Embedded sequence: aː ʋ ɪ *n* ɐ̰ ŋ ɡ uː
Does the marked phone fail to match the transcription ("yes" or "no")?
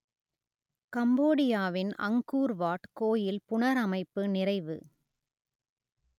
no